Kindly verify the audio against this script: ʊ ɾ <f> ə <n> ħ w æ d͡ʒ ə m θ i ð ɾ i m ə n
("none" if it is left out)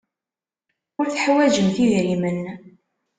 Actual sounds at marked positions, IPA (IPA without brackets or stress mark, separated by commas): θ, none